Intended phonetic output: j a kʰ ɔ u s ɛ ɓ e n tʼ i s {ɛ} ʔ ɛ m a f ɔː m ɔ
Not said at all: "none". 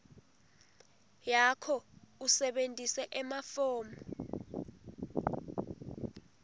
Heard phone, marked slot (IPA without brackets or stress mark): ɛ